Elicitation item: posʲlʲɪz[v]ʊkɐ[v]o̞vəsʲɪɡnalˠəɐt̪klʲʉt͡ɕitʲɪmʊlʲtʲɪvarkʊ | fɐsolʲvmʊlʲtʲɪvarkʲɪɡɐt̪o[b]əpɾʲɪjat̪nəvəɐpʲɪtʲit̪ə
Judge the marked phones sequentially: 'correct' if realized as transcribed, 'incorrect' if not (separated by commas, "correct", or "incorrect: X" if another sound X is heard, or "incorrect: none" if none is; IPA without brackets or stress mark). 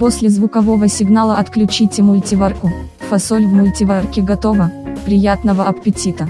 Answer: correct, correct, incorrect: v